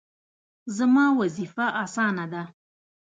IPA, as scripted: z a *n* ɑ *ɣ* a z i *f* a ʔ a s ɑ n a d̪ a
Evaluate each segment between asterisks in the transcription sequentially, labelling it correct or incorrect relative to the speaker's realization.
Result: incorrect: m, incorrect: w, correct

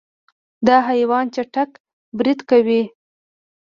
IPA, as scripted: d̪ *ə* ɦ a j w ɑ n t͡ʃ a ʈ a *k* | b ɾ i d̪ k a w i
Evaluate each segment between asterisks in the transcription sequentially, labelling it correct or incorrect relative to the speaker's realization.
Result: incorrect: ɑ, correct

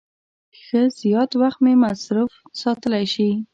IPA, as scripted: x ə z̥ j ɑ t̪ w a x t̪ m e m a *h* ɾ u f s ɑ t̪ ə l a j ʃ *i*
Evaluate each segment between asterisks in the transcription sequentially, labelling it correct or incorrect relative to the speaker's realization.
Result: incorrect: s, correct

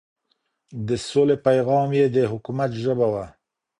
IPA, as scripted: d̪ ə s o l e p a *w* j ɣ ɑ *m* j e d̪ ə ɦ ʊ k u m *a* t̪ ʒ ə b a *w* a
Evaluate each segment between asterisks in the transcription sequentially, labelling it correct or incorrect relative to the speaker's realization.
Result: incorrect: none, correct, correct, correct

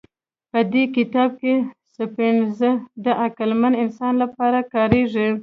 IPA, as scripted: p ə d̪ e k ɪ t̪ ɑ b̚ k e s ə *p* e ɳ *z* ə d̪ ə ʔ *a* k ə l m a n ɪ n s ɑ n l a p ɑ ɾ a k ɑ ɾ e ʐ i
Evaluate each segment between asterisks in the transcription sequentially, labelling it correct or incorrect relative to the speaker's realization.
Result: correct, correct, correct

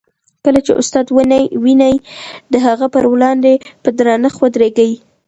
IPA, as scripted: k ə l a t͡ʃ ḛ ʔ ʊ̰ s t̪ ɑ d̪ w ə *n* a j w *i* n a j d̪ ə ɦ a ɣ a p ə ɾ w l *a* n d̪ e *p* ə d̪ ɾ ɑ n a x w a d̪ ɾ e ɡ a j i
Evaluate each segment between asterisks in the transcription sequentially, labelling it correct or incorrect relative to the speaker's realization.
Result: correct, correct, incorrect: ɑ, correct

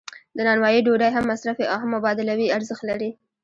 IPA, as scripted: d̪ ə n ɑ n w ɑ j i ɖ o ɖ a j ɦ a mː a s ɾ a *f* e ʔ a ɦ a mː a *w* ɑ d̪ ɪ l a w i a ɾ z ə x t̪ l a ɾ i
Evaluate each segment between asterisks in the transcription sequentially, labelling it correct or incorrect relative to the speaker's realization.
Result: correct, incorrect: b

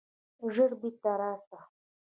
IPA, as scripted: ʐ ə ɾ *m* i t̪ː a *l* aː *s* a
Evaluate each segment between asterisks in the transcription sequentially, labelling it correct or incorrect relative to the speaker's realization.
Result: incorrect: b, incorrect: ɾ, correct

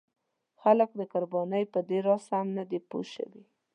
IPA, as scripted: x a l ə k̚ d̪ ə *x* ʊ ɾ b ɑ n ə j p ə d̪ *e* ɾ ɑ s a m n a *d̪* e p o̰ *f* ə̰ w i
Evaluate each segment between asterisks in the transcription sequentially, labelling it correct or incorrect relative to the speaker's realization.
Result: incorrect: k, correct, correct, incorrect: ʃ

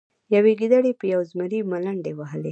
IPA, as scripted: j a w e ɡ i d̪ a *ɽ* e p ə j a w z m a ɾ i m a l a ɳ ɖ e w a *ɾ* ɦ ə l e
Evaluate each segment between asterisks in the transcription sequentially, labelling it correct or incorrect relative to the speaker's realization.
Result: correct, incorrect: none

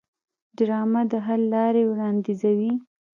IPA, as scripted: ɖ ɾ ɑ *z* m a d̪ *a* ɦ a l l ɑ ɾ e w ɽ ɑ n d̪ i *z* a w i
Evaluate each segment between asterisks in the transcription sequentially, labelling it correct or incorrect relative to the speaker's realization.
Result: incorrect: none, incorrect: ə, correct

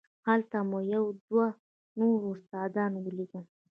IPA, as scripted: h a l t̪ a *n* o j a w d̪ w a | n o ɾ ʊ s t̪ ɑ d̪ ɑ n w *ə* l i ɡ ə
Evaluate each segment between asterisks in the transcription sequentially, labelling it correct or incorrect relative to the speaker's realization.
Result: incorrect: m, correct

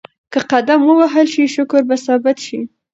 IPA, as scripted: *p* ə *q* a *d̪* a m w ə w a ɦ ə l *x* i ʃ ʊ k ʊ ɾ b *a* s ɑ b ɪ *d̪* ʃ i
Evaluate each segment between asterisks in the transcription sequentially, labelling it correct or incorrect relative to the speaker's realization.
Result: incorrect: k, correct, correct, incorrect: ʃ, correct, incorrect: t̪

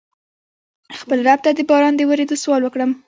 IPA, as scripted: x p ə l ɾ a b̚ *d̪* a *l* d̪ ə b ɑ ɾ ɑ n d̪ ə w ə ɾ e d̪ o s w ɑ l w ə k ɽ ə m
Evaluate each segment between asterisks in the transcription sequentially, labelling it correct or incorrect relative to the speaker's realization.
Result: incorrect: t̪, incorrect: none

